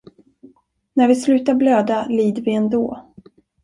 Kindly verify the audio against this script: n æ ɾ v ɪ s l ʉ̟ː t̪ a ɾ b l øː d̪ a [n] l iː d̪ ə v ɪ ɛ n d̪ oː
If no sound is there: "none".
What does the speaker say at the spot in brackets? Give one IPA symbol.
none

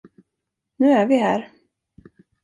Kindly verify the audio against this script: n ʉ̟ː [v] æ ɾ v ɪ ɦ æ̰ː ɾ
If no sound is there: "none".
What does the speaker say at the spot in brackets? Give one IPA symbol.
none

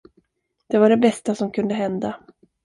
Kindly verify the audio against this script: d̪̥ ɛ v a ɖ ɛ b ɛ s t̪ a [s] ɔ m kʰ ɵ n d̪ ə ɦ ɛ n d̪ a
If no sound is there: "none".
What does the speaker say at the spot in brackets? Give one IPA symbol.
s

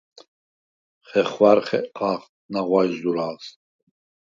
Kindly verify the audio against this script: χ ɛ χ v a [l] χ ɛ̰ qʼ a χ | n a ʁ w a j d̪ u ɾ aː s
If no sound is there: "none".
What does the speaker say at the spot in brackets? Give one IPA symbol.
ɾ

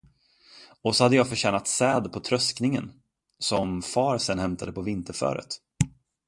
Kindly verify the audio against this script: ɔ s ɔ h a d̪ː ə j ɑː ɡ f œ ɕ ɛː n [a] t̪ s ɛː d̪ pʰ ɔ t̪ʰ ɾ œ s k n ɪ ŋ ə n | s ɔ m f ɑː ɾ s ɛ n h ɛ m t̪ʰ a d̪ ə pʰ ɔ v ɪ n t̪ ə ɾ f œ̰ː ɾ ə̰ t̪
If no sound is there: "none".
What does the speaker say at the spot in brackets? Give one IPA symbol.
a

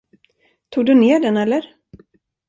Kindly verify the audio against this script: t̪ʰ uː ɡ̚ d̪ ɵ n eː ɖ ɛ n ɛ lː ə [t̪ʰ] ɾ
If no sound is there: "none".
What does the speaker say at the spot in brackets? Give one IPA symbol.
none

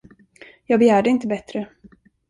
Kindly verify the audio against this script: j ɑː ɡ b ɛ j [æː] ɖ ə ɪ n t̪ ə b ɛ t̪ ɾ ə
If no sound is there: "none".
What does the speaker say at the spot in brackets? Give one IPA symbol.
æː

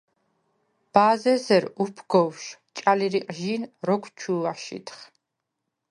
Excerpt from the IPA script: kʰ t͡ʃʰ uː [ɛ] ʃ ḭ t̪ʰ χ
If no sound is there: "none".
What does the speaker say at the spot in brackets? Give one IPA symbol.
a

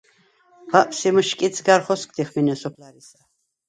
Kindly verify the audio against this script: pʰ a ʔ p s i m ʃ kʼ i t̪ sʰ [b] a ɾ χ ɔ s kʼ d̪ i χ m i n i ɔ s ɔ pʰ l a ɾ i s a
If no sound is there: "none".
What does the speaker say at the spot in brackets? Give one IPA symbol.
ɡ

